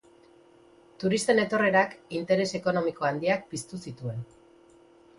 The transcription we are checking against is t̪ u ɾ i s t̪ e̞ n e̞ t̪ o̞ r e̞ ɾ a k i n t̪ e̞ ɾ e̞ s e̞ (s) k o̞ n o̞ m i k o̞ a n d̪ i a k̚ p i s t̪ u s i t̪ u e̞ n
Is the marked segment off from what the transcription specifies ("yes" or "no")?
yes